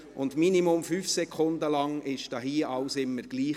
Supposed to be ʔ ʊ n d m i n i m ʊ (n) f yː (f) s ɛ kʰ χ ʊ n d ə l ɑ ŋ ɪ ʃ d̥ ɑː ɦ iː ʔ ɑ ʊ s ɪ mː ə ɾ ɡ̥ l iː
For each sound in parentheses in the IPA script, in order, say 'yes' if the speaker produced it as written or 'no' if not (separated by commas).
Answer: no, yes